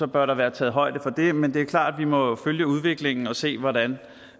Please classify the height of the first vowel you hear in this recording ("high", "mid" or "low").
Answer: low